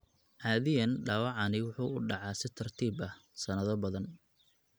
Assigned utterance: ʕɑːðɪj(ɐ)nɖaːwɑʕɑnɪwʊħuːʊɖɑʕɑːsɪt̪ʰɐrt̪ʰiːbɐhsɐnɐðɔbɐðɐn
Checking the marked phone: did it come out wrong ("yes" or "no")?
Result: no